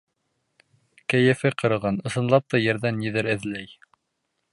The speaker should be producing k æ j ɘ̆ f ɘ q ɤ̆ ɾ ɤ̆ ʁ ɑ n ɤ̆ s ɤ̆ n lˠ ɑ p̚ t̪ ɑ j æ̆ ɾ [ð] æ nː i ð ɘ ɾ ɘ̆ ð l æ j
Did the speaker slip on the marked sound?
no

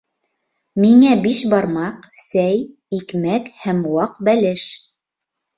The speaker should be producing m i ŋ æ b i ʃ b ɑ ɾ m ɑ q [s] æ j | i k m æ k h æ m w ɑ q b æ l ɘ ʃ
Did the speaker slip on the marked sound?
no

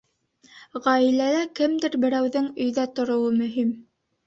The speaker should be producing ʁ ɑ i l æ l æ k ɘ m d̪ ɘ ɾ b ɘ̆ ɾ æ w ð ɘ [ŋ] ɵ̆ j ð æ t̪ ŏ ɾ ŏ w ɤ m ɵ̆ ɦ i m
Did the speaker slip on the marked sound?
no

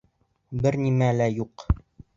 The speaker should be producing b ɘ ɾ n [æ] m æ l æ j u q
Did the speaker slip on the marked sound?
yes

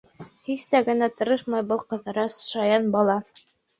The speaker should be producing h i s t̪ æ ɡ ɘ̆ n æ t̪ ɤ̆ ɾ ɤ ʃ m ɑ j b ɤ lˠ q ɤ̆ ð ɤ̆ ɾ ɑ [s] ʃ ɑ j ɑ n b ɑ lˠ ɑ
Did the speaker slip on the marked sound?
no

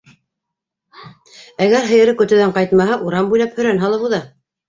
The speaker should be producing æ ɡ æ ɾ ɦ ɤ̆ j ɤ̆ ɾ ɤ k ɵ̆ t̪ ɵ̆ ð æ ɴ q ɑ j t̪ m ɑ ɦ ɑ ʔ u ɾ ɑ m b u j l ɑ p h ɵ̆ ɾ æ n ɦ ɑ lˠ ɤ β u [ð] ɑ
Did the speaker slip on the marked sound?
no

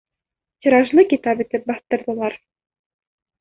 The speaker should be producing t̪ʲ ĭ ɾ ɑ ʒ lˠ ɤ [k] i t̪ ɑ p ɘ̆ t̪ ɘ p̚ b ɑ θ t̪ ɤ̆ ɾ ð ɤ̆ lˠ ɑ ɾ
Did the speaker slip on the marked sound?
no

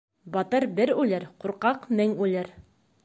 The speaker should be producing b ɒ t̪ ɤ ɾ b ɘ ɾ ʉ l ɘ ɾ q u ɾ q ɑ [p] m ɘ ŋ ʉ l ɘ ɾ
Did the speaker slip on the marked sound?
yes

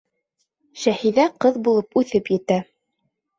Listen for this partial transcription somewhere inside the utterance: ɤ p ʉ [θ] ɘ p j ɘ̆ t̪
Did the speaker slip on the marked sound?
no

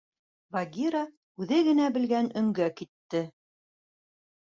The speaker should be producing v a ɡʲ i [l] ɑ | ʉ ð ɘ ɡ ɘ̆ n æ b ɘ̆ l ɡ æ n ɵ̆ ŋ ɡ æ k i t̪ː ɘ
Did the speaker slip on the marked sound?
yes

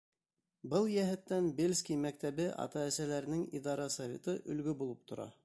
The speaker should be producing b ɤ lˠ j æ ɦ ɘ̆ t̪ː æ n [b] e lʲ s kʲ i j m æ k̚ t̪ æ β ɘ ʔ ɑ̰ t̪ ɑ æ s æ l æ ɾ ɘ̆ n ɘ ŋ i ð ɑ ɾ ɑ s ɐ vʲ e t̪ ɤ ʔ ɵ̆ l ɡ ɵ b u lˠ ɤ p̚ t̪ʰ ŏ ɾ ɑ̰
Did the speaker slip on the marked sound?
no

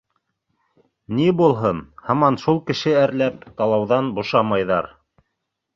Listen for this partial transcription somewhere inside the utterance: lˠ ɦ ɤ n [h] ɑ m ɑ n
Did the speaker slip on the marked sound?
no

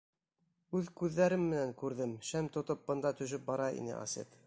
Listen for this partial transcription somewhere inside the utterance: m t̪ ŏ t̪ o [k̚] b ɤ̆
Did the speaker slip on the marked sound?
yes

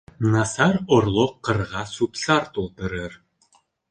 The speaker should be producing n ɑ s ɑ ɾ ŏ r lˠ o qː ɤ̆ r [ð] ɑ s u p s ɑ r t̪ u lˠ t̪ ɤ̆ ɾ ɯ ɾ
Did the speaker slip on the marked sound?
yes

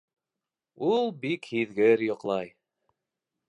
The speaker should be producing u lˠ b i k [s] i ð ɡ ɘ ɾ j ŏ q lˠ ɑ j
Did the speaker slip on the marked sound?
yes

